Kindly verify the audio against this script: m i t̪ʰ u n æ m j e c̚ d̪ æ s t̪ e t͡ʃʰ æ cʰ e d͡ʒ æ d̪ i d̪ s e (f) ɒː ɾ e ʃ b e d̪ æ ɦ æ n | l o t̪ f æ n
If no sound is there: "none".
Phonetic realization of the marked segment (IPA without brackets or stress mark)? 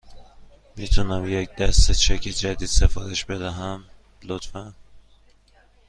f